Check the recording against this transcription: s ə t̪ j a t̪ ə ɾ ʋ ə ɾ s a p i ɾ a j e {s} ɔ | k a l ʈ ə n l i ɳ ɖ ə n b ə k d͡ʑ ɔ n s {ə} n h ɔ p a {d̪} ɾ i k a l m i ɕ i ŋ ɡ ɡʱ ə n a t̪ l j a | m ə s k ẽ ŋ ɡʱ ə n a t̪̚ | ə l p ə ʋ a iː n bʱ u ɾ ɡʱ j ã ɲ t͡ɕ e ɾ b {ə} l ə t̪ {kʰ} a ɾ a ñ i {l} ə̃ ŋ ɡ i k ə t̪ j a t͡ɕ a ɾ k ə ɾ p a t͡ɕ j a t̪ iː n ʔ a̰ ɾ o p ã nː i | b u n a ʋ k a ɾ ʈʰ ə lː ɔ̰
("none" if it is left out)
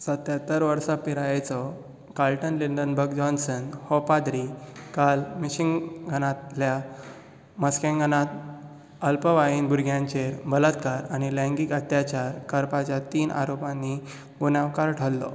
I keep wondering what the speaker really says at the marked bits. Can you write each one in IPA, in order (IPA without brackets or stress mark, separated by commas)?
t͡s, ə, d̪, ə, k, l